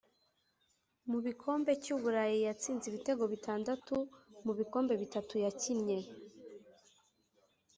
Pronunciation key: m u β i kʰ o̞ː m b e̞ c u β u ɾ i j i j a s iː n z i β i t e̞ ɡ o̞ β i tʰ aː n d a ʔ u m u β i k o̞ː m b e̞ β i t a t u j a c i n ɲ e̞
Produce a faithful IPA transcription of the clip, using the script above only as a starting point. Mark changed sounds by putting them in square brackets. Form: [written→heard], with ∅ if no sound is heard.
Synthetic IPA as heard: m u β i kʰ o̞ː m b e̞ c u β u ɾ [i→a] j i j a [s→t͡s] iː n z i β i t e̞ ɡ o̞ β i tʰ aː n d a [ʔ→t] u m u β i k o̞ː m b e̞ β i t a t u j a c i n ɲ e̞